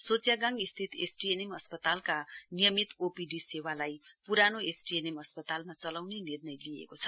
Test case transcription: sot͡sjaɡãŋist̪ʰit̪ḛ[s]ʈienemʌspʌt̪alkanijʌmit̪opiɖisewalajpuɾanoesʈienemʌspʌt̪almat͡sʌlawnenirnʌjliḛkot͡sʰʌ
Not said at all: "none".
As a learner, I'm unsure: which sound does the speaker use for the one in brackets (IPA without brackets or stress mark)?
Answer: s